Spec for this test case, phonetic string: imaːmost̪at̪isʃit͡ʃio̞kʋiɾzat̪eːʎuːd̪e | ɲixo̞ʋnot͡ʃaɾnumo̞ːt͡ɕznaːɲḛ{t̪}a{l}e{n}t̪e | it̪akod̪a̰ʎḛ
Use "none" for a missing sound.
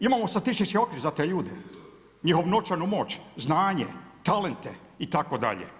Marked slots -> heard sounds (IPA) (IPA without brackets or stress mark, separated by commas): t̪, l, n